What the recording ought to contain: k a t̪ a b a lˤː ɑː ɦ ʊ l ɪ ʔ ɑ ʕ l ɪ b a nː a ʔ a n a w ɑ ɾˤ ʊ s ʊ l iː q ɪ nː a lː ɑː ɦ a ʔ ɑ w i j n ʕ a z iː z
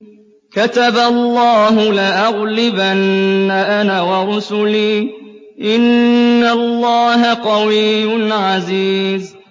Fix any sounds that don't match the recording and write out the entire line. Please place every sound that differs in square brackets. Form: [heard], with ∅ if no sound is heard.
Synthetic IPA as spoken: k a t̪ a b a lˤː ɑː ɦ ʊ l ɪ ʔ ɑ [ɣ] l ɪ b a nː a ʔ a n a w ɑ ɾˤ ʊ s ʊ l iː [ʔ] ɪ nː a lː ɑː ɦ a [q] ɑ w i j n ʕ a z iː z